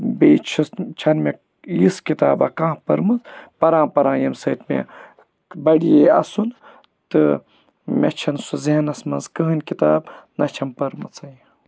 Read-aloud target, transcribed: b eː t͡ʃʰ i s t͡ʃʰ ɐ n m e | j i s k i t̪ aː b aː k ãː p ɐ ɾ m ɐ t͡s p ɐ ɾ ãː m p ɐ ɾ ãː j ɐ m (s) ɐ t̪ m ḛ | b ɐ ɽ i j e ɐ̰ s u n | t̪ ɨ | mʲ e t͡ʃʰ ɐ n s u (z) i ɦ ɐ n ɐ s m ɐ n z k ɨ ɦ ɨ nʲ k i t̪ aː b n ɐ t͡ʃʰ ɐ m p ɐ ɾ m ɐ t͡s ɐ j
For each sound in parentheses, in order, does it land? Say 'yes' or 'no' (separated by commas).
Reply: yes, yes